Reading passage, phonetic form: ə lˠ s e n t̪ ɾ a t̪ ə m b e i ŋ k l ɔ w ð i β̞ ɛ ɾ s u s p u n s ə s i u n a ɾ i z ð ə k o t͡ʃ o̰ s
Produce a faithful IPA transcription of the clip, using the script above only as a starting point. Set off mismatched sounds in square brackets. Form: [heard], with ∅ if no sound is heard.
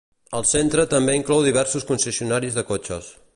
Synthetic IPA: ə lˠ s e n t̪ ɾ [ə] t̪ ə m b e i ŋ k l ɔ w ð i β̞ ɛ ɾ s u s [k] u n s ə s i u n a ɾ i z ð ə k o t͡ʃ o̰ s

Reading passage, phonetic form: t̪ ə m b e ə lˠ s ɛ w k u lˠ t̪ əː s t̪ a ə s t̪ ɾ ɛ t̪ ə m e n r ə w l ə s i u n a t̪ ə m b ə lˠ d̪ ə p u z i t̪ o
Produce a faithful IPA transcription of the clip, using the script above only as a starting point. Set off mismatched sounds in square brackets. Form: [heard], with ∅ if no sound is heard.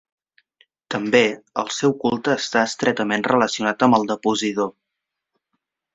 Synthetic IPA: t̪ ə m b e ə lˠ s ɛ w k u lˠ t̪ əː s t̪ a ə s t̪ ɾ ɛ t̪ ə m e n r ə [∅] l ə s i u n a t̪ ə m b ə lˠ d̪ ə p u z i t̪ o

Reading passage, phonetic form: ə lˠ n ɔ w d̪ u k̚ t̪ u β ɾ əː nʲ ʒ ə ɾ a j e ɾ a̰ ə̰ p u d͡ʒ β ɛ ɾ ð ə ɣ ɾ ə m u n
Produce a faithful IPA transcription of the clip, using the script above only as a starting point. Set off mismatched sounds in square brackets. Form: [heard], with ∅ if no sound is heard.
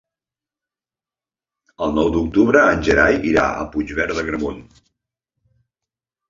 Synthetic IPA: ə lˠ n ɔ w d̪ u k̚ t̪ u β ɾ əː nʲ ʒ ə ɾ a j [i] ɾ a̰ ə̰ p u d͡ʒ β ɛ ɾ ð ə ɣ ɾ ə m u n

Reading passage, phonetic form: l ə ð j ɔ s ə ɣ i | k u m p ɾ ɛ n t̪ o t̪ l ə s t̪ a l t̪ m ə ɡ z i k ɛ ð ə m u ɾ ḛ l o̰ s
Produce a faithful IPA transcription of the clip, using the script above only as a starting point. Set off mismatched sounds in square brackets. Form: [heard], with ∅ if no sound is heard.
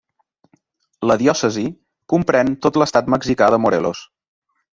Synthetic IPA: l ə ð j ɔ s ə [z] i | k u m p ɾ ɛ n t̪ o t̪ l ə s t̪ a [∅] t̪ m ə ɡ z i k [a] ð ə m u ɾ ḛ l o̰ s

